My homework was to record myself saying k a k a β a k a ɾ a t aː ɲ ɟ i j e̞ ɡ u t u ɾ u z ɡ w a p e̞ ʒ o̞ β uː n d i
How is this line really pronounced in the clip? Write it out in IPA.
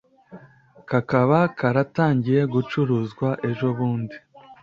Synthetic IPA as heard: k a k a β a k a ɾ a t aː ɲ ɟ i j e̞ ɡ u t͡ʃ u ɾ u z ɡ w a ʔ e̞ ʒ o̞ β uː n d i